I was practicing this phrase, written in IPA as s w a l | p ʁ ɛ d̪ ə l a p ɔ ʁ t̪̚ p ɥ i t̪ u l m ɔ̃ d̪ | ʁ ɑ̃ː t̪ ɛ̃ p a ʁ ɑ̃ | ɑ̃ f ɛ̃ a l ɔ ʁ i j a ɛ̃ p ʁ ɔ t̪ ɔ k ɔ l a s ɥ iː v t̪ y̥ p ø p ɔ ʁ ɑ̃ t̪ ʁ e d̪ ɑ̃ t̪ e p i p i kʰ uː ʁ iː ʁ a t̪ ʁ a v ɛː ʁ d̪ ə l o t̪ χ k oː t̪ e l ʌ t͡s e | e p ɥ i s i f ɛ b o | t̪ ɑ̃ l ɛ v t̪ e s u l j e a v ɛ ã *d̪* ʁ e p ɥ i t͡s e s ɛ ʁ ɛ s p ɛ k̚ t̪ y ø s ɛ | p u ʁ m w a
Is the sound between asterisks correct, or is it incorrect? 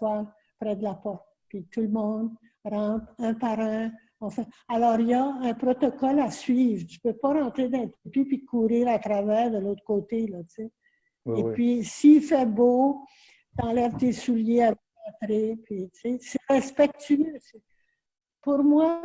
incorrect